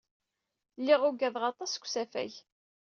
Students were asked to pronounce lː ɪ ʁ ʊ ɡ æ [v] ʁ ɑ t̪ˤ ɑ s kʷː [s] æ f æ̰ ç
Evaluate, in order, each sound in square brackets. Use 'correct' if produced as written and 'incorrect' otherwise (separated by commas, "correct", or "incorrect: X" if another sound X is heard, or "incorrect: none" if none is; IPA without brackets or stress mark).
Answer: incorrect: ð, correct